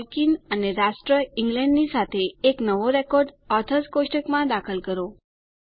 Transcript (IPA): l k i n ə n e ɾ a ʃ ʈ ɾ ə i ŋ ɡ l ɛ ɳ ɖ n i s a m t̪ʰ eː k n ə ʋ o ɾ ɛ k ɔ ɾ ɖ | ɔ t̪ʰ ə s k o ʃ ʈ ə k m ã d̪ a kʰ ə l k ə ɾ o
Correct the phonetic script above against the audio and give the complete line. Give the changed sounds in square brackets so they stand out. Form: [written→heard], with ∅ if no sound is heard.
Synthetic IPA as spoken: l k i n ə n e ɾ a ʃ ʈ ɾ ə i ŋ ɡ l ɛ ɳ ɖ n i s a [m→∅] t̪ʰ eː k n ə ʋ o ɾ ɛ k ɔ ɾ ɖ | ɔ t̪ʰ ə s k o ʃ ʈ ə k m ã d̪ a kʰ ə l k ə ɾ o